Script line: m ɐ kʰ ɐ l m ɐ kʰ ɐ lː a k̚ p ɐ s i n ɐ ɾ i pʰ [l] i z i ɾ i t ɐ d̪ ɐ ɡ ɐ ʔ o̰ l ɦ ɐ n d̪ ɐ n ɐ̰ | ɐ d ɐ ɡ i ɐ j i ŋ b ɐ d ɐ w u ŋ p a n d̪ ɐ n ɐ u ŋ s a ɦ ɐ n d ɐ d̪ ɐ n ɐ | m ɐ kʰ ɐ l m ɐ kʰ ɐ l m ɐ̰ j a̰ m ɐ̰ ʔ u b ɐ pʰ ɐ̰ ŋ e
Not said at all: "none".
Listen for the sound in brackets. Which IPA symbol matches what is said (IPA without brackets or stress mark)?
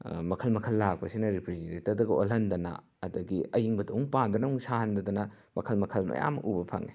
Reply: ɾ